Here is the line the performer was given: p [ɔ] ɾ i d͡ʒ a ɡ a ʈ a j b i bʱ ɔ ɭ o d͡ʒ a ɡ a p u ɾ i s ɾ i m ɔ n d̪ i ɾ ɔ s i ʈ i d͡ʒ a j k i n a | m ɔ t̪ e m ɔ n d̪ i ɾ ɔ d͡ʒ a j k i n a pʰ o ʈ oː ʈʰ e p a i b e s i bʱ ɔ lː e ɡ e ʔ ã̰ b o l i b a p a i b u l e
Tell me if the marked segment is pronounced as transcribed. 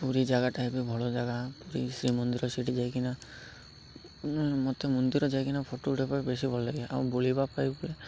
no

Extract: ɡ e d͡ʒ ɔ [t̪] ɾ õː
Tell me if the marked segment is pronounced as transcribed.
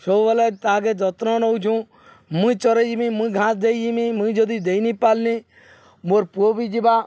yes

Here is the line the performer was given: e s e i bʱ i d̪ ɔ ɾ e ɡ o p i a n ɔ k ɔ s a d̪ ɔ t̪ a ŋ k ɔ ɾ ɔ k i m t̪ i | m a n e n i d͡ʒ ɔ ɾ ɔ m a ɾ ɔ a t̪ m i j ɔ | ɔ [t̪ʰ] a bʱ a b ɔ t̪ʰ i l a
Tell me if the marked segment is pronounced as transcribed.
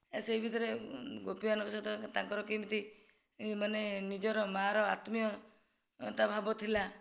no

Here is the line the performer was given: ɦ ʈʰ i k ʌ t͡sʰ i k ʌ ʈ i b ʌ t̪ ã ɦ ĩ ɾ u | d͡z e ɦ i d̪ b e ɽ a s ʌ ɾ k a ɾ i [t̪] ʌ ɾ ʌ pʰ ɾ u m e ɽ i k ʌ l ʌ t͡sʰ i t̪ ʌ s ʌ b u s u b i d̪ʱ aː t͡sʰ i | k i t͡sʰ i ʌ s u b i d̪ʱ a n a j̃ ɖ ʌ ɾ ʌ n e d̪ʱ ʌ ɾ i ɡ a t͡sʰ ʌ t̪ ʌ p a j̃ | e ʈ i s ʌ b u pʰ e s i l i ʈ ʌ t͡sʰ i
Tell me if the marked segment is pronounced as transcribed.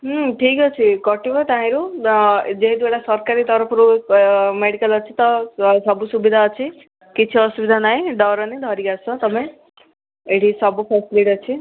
yes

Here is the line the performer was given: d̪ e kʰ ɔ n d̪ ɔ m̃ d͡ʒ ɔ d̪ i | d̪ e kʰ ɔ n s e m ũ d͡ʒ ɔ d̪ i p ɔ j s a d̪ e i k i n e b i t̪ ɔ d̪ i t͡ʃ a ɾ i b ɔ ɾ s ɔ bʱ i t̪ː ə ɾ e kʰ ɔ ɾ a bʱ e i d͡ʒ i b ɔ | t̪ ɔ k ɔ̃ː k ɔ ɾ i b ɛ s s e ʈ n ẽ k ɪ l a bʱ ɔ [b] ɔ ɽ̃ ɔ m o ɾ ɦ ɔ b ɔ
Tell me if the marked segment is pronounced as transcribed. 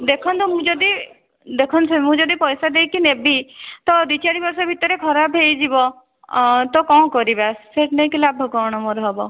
no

